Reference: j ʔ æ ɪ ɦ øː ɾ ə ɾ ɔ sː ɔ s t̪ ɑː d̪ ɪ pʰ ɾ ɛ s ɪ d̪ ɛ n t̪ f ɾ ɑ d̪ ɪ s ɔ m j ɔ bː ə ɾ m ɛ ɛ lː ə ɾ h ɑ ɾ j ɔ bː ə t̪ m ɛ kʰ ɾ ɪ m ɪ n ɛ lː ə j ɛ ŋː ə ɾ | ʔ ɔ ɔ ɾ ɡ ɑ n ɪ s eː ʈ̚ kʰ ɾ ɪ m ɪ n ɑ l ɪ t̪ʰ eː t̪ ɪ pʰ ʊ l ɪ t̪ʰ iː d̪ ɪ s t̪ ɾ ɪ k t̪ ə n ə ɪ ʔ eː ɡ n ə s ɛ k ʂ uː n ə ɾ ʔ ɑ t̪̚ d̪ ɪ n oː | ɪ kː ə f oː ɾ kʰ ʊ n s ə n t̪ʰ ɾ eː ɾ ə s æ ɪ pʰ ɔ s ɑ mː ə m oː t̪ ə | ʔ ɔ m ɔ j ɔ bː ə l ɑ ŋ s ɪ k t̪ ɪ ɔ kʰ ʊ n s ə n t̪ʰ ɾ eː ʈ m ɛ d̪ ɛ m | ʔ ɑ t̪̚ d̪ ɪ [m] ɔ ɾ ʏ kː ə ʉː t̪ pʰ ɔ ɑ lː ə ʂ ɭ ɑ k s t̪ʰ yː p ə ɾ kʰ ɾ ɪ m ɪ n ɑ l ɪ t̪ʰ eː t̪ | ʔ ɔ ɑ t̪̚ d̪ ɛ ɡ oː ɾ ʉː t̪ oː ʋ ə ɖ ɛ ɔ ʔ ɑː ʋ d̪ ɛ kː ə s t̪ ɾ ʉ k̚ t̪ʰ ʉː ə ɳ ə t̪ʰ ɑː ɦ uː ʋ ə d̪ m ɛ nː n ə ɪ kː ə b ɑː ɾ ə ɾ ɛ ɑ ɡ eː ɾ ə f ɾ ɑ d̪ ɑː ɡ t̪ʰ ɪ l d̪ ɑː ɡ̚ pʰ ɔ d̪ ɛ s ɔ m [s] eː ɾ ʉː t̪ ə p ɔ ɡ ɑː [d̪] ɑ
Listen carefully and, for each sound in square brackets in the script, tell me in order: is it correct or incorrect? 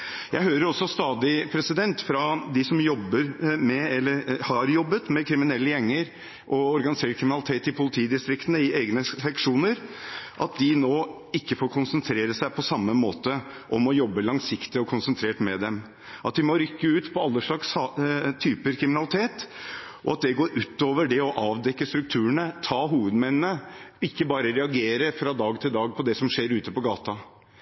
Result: correct, incorrect, incorrect

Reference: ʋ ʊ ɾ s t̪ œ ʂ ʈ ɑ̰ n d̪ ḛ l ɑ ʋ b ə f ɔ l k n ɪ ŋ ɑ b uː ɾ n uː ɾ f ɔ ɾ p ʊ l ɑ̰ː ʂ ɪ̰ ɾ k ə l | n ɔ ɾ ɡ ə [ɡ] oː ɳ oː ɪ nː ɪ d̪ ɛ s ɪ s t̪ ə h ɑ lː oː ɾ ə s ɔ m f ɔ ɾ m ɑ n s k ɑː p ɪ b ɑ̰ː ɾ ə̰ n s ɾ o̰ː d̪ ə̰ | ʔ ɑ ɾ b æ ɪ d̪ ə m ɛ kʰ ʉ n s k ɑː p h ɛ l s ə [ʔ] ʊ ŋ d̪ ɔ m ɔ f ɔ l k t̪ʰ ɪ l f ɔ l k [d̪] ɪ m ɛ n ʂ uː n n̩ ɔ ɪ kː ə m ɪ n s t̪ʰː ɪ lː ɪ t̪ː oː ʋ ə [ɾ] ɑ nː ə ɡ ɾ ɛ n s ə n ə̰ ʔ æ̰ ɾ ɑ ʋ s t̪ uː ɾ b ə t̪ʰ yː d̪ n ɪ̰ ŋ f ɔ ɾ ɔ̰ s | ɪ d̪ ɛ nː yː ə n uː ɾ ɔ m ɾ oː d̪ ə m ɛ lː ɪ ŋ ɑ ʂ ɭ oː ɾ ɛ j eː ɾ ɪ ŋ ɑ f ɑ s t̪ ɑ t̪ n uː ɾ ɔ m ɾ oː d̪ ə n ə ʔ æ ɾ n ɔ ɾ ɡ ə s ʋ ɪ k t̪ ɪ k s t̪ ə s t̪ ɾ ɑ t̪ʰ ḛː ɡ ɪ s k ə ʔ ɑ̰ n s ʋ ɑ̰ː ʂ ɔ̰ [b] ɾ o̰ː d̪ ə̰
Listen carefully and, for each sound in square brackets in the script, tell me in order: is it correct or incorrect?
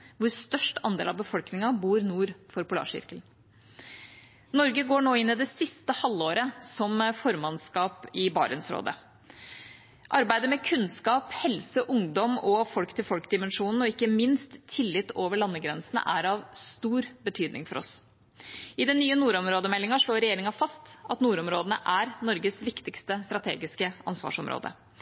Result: correct, correct, correct, incorrect, incorrect

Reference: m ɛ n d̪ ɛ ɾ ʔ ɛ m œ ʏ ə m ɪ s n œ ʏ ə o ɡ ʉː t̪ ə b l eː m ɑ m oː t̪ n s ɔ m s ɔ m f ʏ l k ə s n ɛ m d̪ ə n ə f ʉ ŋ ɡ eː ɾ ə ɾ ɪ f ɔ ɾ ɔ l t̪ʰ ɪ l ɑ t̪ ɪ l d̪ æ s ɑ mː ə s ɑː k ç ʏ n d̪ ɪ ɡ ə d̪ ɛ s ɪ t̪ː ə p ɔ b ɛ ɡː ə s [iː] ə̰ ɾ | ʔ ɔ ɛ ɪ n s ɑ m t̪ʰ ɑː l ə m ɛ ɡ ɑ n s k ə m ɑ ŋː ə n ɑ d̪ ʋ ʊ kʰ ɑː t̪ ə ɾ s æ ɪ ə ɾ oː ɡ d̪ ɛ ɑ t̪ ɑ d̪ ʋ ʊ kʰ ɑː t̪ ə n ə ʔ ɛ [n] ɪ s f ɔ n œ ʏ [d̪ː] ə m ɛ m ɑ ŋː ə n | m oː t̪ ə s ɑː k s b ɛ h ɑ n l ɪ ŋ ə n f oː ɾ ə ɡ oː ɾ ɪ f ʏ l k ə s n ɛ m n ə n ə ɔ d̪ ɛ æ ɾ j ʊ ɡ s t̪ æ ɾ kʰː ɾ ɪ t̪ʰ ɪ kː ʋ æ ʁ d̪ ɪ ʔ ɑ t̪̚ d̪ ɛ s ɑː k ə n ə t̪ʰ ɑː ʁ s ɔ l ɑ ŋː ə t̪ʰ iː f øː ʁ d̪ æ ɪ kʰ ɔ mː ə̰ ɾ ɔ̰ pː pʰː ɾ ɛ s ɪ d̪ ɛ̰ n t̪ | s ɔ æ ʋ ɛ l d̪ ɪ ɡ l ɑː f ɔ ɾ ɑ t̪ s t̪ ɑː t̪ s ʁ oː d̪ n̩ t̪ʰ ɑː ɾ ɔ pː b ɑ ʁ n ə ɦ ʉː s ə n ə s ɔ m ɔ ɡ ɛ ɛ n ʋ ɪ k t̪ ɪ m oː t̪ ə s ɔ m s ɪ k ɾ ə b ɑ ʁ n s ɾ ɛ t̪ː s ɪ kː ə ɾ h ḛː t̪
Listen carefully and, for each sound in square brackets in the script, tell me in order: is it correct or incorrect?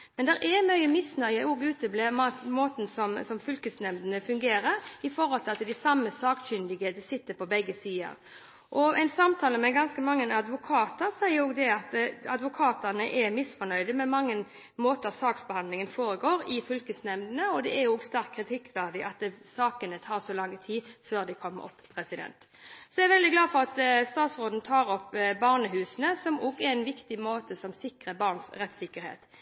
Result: correct, incorrect, incorrect

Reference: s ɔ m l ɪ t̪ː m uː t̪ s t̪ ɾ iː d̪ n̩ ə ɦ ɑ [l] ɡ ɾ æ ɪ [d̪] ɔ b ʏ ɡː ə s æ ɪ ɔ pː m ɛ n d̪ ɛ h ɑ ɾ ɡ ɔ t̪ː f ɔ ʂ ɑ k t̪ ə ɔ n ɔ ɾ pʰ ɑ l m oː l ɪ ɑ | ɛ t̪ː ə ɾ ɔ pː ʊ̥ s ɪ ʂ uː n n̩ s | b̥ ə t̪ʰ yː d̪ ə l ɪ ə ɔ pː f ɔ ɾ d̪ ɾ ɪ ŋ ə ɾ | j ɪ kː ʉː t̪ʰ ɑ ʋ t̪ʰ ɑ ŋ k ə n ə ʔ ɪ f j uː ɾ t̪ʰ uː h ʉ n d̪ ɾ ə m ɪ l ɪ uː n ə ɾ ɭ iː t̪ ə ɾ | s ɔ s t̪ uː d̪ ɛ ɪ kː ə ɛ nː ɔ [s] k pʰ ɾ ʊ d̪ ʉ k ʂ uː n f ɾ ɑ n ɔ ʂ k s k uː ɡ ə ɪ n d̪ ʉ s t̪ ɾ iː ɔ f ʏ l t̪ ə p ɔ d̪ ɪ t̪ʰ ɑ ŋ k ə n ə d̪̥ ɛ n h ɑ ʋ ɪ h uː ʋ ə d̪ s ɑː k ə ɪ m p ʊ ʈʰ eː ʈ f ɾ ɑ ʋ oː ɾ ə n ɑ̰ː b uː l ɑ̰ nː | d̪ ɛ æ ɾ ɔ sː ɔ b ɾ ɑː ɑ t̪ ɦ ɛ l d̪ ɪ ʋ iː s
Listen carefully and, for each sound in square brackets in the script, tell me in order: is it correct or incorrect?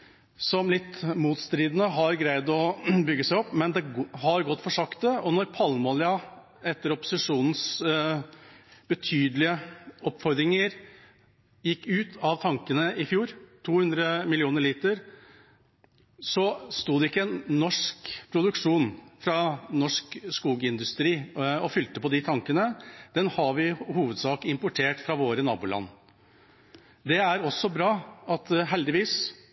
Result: incorrect, correct, incorrect

